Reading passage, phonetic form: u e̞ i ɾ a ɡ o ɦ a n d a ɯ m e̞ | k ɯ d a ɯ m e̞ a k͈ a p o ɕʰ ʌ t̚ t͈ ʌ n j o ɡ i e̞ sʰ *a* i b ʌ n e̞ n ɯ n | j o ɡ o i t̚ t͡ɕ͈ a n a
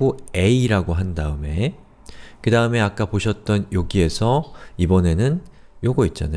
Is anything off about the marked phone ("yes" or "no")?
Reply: yes